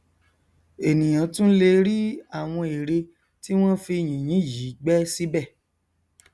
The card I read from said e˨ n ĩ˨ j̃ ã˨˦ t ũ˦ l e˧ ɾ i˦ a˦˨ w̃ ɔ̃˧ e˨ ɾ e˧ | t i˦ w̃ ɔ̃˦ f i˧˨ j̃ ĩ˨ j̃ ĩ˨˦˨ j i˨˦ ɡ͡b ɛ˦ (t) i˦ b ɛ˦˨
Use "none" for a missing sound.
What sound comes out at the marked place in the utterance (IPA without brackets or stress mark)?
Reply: s